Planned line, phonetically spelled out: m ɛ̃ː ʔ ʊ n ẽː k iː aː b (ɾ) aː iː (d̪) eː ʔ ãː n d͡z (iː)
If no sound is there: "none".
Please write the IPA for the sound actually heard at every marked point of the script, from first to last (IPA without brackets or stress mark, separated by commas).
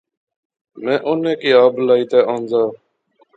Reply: l, t̪, aː